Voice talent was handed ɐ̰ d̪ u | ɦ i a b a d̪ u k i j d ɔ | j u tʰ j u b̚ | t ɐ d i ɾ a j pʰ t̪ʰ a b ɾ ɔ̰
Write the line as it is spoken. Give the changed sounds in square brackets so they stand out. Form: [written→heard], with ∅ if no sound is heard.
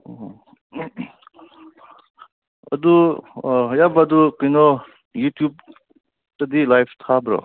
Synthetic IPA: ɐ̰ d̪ u | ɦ [i→j] a b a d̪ u k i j [d→n] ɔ | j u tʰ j u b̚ | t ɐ d i [ɾ→l] a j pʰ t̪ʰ a b ɾ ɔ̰